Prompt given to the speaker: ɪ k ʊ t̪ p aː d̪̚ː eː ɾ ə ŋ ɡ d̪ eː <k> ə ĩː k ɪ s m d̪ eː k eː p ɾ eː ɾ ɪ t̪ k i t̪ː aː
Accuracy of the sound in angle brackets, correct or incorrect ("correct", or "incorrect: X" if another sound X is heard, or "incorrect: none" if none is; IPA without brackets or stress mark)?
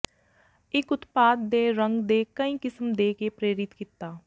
correct